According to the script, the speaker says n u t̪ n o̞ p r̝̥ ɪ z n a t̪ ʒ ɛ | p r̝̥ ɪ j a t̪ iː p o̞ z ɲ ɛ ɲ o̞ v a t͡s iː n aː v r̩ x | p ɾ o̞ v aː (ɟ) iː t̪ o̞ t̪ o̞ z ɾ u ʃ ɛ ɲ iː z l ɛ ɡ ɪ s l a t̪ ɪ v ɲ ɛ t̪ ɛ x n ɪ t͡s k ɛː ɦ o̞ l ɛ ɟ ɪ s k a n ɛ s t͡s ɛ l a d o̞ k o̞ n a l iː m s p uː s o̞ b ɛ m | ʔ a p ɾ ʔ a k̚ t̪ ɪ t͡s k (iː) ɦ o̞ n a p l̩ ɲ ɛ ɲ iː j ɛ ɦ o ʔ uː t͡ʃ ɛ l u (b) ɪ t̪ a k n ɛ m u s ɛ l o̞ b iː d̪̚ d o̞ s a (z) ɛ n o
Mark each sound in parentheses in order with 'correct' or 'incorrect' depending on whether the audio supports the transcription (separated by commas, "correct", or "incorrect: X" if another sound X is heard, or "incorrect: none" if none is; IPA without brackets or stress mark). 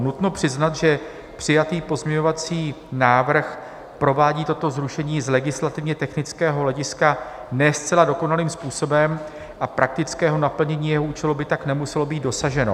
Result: correct, incorrect: ɛː, correct, incorrect: ʒ